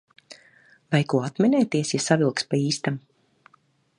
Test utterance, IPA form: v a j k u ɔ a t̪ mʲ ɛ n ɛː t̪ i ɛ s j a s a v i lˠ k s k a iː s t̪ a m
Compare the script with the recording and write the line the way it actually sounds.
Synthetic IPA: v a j k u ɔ a t̪ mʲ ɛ n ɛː t̪ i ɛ s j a s a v i lˠ k s p a iː s t̪ a m